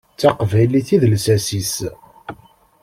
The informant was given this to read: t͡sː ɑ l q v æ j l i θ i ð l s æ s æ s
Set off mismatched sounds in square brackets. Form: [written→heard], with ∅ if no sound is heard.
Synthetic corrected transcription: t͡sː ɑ [l→∅] q v æ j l i θ i ð l s æ s [æ→i] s